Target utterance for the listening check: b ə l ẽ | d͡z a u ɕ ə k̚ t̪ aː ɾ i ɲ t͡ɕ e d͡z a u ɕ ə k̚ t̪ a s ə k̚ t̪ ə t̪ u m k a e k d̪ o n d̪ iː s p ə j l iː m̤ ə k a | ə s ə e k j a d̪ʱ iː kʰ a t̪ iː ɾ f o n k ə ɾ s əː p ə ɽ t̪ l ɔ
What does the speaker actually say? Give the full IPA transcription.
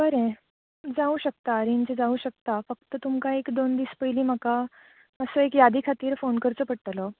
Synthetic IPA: b ə ɾ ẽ | d͡z a u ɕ ə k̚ t̪ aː ɾ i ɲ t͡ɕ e d͡z a u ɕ ə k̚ t̪ a f ə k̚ t̪ ə t̪ u m k a e k d̪ o n d̪ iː s p ə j l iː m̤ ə k a | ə s ə e k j a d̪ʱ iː kʰ a t̪ iː ɾ f o n k ə ɾ t͡s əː p ə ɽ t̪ l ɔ